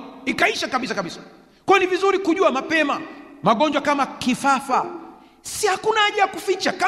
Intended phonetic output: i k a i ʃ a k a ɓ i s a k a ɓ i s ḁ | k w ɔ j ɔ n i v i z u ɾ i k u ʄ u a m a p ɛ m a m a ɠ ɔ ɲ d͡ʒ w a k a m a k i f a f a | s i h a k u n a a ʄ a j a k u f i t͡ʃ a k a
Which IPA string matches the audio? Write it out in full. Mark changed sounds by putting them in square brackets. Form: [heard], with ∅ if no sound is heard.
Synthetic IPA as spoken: i k a i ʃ a k a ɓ i s a k a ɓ i s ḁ | k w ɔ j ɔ n i v i z u ɾ i k u ʄ u a m a p ɛ m a m a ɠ ɔ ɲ d͡ʒ w a k a m a k i f a f a | s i h a k u n a a ʄ a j a k u f i t͡ʃ a k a